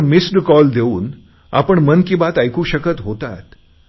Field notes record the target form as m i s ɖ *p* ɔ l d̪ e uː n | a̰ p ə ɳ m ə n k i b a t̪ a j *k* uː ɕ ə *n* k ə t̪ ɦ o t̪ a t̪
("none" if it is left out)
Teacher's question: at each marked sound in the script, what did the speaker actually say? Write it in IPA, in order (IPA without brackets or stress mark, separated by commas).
k, k, none